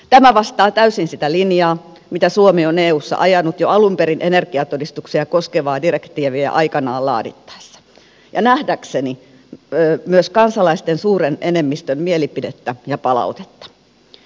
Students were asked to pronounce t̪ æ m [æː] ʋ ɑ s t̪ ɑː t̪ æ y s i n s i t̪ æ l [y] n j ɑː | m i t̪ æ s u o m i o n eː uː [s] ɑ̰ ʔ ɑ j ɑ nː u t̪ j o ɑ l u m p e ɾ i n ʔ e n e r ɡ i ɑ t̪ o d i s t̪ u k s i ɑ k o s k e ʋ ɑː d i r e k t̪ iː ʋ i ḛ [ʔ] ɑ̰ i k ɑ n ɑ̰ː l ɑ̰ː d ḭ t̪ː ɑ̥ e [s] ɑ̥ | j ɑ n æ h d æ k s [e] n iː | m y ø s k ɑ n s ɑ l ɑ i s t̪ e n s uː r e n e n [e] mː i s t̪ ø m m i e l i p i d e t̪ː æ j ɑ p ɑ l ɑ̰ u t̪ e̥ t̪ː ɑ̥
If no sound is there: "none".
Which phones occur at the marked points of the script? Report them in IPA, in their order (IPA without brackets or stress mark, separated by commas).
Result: æ, i, sː, ʔ, sː, e, e